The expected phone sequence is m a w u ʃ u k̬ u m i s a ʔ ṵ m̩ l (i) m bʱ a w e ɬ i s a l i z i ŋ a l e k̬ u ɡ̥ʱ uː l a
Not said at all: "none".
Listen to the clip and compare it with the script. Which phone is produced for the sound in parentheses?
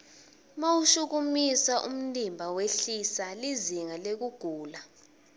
i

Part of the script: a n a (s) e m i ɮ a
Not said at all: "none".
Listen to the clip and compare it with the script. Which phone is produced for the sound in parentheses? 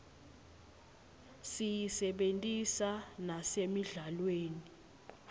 s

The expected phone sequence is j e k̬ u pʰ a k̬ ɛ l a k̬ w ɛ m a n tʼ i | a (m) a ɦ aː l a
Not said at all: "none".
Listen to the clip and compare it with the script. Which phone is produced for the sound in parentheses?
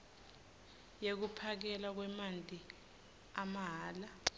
m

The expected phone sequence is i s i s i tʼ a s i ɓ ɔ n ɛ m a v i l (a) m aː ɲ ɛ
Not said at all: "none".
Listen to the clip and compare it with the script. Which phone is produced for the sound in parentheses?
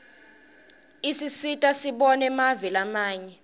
a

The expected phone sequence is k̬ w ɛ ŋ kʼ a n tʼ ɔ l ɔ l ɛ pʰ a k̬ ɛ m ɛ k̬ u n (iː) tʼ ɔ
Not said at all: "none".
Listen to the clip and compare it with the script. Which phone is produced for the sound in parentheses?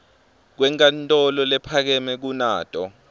aː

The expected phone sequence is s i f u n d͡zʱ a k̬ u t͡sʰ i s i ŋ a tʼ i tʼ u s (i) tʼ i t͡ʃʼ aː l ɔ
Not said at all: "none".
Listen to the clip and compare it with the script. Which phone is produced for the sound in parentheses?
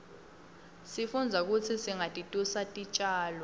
a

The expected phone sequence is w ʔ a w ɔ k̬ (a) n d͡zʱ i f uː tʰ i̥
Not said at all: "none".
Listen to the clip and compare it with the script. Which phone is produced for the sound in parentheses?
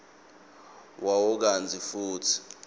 a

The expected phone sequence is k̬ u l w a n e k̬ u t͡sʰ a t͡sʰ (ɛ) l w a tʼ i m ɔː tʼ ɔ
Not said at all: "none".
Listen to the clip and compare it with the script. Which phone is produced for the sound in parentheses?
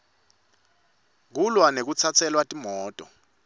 ɛ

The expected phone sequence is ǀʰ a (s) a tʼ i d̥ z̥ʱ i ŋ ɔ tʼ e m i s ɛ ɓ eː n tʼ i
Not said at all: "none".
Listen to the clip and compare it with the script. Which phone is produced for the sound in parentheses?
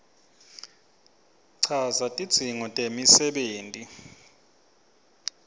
z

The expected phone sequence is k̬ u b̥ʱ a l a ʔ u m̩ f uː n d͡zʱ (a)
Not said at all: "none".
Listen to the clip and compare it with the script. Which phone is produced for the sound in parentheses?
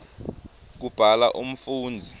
i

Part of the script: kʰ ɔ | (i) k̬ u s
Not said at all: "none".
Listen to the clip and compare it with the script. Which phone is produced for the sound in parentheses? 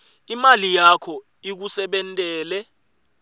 i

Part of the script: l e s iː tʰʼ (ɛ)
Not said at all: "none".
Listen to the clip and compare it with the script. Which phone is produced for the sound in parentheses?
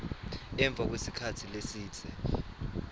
ɛ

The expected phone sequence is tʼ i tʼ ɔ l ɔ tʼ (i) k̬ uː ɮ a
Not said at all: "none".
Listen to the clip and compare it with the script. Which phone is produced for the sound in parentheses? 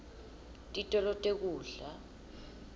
e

